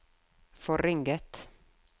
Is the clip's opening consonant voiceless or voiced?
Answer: voiceless